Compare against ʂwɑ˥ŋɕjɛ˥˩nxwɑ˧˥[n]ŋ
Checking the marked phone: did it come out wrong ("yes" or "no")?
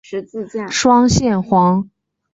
yes